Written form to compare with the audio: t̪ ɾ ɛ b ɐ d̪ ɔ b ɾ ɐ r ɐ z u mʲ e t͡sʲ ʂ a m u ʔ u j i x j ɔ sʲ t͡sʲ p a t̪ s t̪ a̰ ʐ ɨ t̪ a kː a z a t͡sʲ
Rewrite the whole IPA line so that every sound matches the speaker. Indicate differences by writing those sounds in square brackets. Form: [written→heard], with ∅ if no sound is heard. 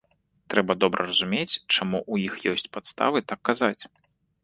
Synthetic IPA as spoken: t̪ ɾ ɛ b ɐ d̪ ɔ b ɾ ɐ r ɐ z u mʲ e t͡sʲ [ʂ→t͡ʂ] a m u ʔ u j i x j ɔ sʲ t͡sʲ p a t̪ s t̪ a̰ [ʐ→v] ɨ t̪ a kː a z a t͡sʲ